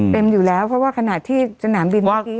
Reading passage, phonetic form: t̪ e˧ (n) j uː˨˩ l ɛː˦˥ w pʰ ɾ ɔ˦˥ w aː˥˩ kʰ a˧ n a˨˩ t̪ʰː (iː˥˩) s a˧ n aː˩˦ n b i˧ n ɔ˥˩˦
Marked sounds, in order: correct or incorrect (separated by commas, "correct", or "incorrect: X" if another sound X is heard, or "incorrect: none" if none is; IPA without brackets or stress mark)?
incorrect: m, correct